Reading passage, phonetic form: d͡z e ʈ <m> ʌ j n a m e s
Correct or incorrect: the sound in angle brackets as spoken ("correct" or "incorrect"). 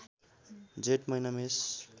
correct